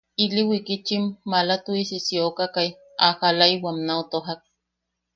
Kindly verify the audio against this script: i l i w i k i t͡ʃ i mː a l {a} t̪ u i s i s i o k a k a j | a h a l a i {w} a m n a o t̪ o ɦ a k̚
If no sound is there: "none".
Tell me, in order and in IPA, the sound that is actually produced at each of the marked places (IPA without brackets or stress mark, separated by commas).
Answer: a, w